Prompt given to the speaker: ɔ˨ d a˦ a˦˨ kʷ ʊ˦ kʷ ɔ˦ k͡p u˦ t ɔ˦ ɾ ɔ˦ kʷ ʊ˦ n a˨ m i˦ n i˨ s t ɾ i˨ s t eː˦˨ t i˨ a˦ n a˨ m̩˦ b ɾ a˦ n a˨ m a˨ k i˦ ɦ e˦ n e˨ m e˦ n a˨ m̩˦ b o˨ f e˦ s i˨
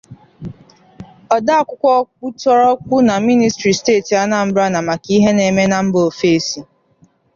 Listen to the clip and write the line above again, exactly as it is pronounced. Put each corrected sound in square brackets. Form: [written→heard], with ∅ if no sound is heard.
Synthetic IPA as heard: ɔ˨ d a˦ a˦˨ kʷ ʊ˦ kʷ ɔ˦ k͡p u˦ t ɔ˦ ɾ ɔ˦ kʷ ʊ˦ n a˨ m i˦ n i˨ s t ɾ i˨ s t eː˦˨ t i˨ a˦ n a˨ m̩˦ b ɾ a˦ n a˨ m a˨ k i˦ ɦ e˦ n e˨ m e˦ n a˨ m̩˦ b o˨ f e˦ s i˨